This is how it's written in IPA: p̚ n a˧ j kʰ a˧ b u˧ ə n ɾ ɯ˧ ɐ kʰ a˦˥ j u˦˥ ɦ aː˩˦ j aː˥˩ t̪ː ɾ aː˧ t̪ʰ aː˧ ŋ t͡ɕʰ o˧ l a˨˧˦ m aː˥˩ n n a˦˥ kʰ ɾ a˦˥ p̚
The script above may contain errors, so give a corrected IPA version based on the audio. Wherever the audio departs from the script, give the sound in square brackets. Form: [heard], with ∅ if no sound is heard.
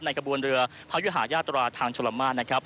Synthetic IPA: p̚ n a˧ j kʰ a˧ b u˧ ə n ɾ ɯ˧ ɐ [pʰ] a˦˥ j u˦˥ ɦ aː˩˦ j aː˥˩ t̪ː ɾ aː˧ t̪ʰ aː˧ ŋ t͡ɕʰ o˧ l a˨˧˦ m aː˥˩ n n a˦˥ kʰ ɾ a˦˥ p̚